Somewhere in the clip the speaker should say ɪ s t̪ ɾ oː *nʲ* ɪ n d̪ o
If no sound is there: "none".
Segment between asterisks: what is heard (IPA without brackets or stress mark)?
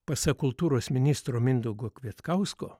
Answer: mʲ